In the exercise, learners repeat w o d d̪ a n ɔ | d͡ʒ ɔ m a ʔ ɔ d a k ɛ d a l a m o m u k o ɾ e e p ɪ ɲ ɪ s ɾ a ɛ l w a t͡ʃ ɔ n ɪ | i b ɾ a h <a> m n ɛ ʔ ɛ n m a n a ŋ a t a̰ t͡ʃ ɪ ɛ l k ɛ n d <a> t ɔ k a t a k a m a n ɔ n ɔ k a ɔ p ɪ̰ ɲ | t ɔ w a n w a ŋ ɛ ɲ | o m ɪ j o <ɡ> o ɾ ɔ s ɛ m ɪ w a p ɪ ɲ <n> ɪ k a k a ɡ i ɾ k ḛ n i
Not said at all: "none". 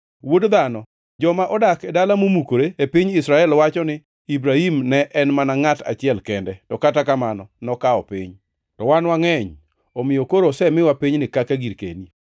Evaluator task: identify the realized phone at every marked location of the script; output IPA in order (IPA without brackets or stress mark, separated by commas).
i, ɛ, k, n